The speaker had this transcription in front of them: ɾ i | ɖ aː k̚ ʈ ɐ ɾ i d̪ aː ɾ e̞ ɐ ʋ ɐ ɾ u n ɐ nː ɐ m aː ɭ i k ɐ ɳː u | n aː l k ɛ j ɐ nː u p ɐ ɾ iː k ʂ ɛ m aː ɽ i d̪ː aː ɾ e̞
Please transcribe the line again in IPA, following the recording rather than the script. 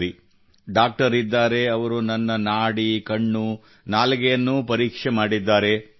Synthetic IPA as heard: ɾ i | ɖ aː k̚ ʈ ɐ ɾ i d̪ː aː ɾ e̞ ɐ ʋ ɐ ɾ u n ɐ nː ɐ n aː ɽ i k ɐ ɳː u | n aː l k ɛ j ɐ nː u p ɐ ɾ iː k ʂ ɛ m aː ɽ i d̪ː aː ɾ e̞